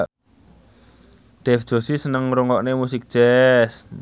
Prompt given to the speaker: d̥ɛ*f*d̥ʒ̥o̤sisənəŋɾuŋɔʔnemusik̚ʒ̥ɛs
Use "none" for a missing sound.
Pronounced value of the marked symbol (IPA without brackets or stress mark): f